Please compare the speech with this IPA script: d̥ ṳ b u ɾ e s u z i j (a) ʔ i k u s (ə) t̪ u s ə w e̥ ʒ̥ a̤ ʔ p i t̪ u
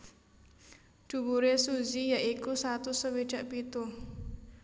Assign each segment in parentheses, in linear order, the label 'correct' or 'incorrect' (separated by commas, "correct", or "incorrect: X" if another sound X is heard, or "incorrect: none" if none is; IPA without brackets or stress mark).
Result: correct, incorrect: a